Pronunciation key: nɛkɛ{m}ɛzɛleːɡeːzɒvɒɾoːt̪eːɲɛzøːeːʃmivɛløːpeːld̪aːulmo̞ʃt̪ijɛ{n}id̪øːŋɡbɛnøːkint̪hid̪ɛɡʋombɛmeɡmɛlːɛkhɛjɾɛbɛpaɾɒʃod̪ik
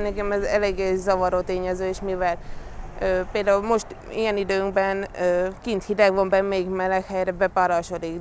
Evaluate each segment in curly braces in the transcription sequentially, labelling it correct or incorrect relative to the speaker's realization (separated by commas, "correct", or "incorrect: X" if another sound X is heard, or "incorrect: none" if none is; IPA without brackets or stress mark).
correct, correct